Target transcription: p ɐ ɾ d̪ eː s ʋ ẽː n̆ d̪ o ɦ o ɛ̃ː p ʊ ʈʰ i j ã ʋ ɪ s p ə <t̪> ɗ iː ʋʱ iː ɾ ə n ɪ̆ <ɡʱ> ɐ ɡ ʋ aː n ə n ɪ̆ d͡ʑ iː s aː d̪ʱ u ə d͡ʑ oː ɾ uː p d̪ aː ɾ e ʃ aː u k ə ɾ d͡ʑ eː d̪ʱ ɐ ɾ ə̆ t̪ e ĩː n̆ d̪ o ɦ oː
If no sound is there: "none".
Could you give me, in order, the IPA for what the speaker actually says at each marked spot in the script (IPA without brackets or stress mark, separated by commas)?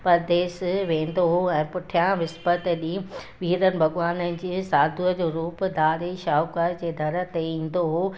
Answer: t̪, bʱ